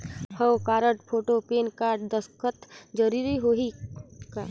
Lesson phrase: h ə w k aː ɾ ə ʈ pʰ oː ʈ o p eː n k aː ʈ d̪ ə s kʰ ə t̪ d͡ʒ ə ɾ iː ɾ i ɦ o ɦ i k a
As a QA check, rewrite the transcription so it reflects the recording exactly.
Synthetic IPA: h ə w k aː ɾ ə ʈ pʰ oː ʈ o p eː n k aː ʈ d̪ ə s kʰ ə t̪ d͡ʒ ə ɾ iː ɾ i ɦ o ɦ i k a